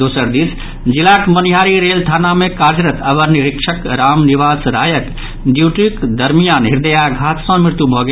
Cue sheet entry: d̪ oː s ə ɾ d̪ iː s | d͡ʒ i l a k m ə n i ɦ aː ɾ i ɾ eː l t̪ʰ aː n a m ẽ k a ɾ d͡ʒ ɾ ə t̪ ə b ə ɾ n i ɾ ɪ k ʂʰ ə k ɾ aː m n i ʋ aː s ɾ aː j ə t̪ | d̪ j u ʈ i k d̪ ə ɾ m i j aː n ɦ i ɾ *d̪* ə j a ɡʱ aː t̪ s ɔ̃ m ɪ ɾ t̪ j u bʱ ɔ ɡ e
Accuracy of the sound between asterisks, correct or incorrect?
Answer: correct